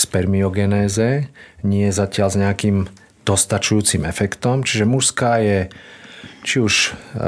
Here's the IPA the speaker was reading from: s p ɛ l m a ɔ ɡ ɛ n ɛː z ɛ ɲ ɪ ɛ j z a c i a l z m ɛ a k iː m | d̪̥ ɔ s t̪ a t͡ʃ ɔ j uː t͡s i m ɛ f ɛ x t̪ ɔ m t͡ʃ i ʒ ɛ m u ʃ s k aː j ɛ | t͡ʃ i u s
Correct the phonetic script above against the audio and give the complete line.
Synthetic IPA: s p ɛ ɾ m i ɔ ɡ ɛ n ɛː z ɛ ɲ ɪ ɛ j z a c ɪ a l z ɲ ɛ a k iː m | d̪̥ ɔ s t̪ a t͡ʃ u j uː t͡s i m ɛ f ɛ k t̪ ɔ m t͡ʃ i ʒ ɛ m u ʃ s k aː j ɛ | t͡ʃ i u ʃ